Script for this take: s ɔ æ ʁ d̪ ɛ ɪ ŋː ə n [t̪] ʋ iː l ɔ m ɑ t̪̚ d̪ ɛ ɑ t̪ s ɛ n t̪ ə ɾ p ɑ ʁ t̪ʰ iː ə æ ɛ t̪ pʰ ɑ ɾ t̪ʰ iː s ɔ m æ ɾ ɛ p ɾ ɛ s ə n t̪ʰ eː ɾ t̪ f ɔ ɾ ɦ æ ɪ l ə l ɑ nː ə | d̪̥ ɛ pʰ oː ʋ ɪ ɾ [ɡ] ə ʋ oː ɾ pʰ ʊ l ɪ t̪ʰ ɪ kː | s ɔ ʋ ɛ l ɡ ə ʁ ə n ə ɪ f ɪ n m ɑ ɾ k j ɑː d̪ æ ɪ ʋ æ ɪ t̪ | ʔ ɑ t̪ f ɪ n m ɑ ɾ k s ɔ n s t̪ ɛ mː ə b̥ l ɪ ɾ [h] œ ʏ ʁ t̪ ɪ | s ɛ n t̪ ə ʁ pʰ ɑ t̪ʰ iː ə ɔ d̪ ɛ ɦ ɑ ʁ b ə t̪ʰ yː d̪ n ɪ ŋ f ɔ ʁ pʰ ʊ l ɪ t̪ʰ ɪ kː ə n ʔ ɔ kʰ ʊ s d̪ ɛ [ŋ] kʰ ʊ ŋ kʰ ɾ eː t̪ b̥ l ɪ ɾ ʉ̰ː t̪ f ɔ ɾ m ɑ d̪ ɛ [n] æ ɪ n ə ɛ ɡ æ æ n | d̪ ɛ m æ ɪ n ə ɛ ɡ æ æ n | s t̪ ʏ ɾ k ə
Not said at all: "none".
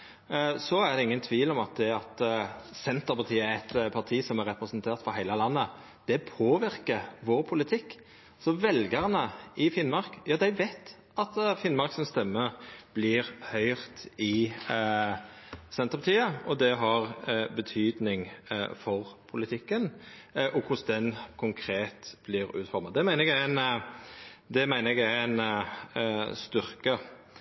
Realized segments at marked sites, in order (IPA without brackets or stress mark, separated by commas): t̪ʰ, k, h, n, m